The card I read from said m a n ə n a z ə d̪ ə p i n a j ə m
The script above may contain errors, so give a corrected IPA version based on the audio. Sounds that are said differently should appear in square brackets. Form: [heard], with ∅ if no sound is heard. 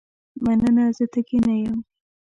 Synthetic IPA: m a n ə n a z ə [t̪] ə [k] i n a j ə m